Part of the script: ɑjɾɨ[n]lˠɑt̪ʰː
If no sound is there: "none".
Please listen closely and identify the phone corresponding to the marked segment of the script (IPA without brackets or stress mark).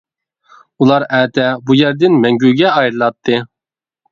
none